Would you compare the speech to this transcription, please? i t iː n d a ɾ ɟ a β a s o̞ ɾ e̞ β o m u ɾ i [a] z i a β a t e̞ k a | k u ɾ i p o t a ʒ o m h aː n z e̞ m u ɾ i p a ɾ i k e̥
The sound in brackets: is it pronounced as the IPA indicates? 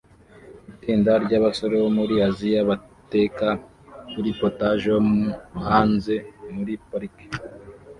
yes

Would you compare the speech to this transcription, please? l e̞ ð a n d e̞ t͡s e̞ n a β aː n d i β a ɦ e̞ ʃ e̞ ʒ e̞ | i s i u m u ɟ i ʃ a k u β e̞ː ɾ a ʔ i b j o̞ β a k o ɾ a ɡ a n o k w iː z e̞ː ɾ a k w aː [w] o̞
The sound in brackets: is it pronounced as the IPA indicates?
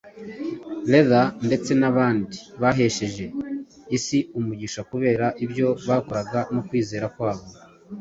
no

